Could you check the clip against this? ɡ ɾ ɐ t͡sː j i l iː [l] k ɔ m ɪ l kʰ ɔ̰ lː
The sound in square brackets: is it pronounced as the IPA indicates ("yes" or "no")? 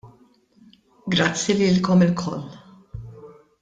yes